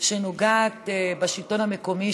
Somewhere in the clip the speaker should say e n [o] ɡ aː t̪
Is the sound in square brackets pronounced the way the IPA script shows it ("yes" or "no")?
yes